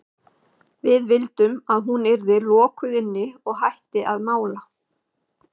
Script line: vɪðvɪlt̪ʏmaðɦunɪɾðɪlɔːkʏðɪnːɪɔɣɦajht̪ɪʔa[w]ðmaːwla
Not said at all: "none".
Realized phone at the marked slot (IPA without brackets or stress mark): none